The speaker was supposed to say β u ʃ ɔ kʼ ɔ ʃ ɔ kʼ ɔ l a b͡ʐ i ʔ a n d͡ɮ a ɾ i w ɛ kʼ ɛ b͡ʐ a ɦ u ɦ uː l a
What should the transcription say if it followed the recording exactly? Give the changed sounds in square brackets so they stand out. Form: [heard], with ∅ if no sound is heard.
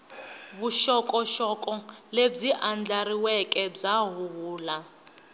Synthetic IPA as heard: β u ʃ ɔ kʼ ɔ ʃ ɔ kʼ ɔ l [e] b͡ʐ i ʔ a n d͡ɮ a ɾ i w ɛ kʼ ɛ b͡ʐ a ɦ u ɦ uː l a